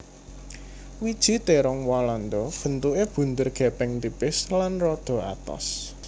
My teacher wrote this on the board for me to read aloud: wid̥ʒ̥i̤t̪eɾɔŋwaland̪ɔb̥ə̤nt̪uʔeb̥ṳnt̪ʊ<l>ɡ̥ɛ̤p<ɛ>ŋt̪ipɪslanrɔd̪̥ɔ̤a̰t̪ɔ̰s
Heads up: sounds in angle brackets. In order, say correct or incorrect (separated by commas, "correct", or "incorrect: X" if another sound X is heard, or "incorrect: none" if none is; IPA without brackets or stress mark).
incorrect: r, correct